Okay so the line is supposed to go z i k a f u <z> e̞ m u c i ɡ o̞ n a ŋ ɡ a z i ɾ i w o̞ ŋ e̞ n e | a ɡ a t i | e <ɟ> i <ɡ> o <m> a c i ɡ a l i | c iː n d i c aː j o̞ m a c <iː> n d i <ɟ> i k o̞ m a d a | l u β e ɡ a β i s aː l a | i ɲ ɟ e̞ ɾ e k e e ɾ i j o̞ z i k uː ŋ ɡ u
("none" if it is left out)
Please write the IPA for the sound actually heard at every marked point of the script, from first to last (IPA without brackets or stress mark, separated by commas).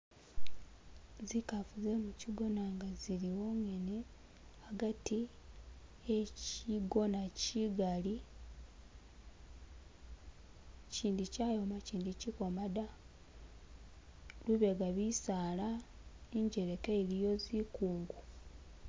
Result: z, c, ɡ, n, iː, c